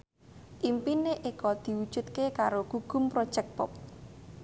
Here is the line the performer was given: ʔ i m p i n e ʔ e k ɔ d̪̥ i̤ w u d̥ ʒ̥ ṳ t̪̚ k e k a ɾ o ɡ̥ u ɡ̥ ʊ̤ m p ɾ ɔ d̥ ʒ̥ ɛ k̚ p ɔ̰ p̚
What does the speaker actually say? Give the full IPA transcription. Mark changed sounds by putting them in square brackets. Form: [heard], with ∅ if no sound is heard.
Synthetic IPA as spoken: ʔ i m p i n e ʔ e k ɔ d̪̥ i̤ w u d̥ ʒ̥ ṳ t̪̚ k e k a ɾ o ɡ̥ u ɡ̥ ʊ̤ m p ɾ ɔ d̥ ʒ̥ ɛ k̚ p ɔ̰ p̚

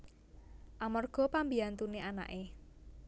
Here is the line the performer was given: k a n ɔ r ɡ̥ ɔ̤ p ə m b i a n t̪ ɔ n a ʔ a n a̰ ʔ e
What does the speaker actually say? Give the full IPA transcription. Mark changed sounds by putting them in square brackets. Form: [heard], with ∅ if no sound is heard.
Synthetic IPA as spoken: [ʔ] a [m] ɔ r ɡ̥ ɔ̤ p [a] m b i a n t̪ [u] n [e] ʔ a n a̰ ʔ e

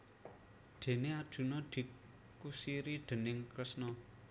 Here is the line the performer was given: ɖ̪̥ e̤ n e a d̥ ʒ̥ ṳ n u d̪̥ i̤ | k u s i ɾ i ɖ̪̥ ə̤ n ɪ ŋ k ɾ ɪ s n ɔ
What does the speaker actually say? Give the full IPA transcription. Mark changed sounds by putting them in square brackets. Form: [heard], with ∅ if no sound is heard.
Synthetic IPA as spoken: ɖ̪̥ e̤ n e a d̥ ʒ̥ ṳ n [ɔ] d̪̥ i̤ | k u s i ɾ i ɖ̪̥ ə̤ n ɪ ŋ k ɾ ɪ s n ɔ

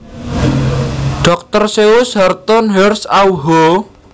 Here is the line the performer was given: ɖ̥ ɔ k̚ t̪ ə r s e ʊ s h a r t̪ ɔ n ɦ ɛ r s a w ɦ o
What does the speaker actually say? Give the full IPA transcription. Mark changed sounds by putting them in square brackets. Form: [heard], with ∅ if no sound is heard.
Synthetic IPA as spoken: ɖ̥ ɔ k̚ t̪ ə r s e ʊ s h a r t̪ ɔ n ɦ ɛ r s a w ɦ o

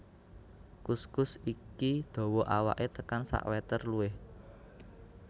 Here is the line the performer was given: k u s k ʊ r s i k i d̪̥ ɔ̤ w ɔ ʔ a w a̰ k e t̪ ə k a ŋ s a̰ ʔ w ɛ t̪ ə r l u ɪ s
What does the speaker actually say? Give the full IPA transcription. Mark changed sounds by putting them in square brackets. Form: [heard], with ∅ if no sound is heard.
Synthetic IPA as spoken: k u s k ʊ [∅] s i k i d̪̥ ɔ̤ w ɔ ʔ a w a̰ [ʔ] e t̪ ə k a [n] s a̰ ʔ w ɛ t̪ ə r l u ɪ [h]

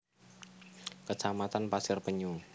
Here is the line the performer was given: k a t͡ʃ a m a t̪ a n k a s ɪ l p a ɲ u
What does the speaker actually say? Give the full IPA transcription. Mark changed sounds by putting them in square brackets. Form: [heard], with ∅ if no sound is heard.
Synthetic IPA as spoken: k [ə] t͡ʃ a m a t̪ a n [p] a s ɪ [r] p [ə] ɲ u

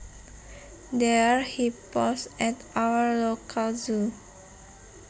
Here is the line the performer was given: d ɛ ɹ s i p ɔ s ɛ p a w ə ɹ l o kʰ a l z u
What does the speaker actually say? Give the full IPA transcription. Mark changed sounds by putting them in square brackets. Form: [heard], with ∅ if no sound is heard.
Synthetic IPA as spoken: d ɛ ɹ [h] i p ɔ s ɛ [t] a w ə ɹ l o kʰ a l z u

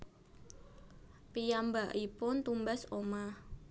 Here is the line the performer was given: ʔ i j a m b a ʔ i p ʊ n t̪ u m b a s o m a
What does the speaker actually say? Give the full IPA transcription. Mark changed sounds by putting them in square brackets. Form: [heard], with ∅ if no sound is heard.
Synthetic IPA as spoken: [p] i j a m b a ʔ i p ʊ n t̪ u m b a s o m a

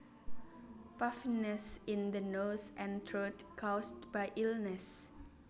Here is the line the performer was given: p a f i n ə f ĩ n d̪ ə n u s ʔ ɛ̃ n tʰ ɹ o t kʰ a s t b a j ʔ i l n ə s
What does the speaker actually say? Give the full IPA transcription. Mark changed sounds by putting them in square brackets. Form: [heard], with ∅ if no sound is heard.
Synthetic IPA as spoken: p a f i n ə [s] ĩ n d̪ ə n [o] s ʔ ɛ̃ n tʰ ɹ o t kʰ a s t b a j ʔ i l n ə s

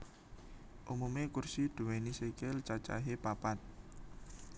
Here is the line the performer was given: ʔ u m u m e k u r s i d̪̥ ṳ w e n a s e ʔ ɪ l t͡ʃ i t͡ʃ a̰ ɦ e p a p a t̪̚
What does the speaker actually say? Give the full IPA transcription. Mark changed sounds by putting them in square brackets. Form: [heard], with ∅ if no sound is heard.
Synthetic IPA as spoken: ʔ u m u m e k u r s i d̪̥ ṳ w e n [i] s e [k] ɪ l t͡ʃ [a] t͡ʃ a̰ ɦ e p a p a t̪̚

